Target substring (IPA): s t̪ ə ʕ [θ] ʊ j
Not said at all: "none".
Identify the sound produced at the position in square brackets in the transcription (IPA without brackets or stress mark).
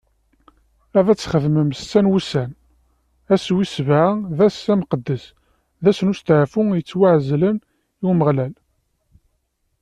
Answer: f